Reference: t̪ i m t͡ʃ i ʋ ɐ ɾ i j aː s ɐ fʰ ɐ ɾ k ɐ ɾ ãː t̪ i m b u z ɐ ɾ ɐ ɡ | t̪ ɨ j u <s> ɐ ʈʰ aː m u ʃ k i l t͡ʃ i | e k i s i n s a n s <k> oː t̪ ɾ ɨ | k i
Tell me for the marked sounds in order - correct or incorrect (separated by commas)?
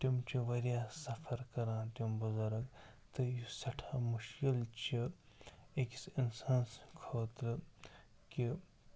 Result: correct, incorrect